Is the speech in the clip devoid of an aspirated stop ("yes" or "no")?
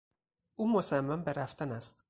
yes